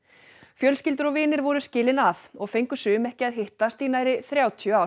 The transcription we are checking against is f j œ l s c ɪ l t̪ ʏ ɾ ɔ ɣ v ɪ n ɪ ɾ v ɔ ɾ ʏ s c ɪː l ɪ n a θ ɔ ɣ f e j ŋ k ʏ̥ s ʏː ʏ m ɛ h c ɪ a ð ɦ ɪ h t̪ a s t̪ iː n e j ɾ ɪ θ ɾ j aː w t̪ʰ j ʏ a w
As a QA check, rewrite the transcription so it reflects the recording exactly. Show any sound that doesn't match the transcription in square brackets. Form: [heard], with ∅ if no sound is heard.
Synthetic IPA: f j œ l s c ɪ l t̪ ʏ ɾ ɔ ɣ v [ɪː] n ɪ ɾ v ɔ ɾ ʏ s c ɪː l ɪ n a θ ɔ ɣ f e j ŋ k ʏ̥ s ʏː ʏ m ɛ h c ɪ a ð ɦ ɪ h t̪ a s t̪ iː n [a] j ɾ ɪ θ ɾ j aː w t̪ʰ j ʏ a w